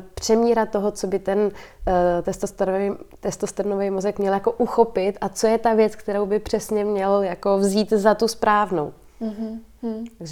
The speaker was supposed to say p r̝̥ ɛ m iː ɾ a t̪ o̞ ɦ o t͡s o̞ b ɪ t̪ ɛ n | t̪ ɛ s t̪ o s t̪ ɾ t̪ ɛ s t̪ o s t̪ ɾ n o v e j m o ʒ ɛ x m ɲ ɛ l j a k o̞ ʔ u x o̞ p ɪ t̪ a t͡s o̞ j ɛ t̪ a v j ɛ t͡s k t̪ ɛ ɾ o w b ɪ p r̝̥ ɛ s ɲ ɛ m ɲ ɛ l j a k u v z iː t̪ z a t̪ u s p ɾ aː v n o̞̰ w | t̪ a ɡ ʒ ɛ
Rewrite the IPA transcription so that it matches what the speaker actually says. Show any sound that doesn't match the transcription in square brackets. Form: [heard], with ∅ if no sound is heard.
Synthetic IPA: p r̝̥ ɛ m iː ɾ a t̪ o̞ ɦ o t͡s o̞ b ɪ t̪ ɛ n | t̪ ɛ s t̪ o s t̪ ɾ t̪ ɛ s t̪ o s t̪ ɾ n o v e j m o [z] ɛ [k] m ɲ ɛ l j a k o̞ ʔ u x o̞ p ɪ t̪ a t͡s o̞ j ɛ t̪ a v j ɛ t͡s k t̪ ɛ ɾ o w b ɪ p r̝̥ ɛ s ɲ ɛ m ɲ ɛ l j a k [o] v z iː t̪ z a t̪ u s p ɾ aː v n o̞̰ w | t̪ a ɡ ʒ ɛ